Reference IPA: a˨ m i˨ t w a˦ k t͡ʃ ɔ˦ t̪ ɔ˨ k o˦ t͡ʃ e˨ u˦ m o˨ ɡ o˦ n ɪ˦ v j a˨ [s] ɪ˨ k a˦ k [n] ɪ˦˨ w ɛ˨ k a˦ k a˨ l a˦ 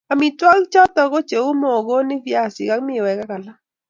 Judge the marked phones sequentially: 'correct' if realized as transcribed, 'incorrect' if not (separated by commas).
correct, incorrect